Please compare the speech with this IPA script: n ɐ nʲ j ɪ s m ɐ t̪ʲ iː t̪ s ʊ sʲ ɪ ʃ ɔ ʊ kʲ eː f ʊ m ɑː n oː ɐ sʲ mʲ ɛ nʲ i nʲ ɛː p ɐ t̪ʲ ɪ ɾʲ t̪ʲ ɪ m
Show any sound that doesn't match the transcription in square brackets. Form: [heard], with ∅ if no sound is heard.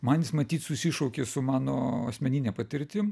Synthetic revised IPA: [m] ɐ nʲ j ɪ s m ɐ t̪ʲ iː t̪ s ʊ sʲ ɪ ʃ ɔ ʊ kʲ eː [s] ʊ m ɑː n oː ɐ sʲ mʲ ɛ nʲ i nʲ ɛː p ɐ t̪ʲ ɪ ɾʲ t̪ʲ ɪ m